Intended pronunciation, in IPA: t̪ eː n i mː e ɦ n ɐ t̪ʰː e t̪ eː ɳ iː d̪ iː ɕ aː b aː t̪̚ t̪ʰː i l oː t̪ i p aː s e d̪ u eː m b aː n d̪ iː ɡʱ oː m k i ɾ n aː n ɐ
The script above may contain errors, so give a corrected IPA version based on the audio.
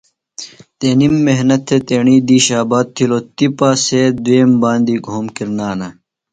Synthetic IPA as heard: t̪ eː n i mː e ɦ n ɐ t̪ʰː e t̪ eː ɳ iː d̪ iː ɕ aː b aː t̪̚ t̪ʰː i l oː t̪ i p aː s e d̪ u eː m b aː n d̪ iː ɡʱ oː m k i ɾ n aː n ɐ